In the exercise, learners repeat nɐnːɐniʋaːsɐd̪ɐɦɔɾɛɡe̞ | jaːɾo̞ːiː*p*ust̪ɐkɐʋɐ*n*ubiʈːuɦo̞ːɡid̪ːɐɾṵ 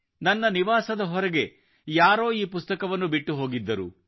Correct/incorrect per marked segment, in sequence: correct, incorrect

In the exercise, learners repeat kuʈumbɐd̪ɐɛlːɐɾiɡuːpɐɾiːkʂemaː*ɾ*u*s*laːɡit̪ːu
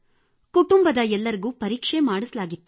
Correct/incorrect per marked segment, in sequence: incorrect, correct

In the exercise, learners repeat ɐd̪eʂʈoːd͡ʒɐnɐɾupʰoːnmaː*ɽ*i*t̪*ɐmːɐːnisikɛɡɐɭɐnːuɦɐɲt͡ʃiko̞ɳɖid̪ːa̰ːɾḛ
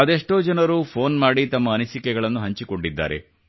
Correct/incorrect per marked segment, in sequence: correct, correct

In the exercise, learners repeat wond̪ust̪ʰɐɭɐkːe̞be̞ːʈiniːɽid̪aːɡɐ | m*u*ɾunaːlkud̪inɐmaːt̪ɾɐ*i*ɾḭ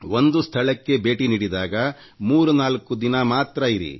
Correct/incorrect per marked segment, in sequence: incorrect, correct

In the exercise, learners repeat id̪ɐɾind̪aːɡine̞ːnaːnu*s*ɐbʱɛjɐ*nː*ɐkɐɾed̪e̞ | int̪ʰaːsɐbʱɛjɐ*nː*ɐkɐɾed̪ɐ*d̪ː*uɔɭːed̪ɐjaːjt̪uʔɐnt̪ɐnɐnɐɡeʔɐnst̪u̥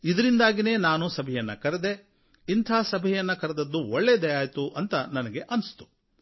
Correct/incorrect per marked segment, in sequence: correct, correct, correct, correct

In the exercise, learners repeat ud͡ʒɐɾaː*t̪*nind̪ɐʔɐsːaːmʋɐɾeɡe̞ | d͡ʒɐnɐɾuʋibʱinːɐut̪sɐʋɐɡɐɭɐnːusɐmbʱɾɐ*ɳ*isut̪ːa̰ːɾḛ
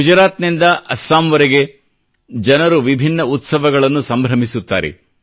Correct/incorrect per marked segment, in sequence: correct, incorrect

